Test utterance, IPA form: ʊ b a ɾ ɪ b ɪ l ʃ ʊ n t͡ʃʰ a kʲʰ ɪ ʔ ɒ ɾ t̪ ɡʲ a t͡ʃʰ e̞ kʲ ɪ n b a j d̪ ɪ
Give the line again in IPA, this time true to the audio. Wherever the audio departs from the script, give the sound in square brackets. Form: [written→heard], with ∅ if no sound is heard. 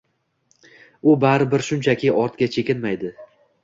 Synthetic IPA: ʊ b a ɾ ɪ b ɪ [l→ɾ] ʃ ʊ n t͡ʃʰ a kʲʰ ɪ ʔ ɒ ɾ t̪ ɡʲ a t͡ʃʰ e̞ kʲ ɪ n [b→m] a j d̪ ɪ